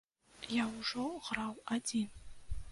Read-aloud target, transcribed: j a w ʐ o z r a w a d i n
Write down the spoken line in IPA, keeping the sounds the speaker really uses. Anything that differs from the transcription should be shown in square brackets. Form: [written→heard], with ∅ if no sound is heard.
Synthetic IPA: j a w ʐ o [z→ʁ] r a w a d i n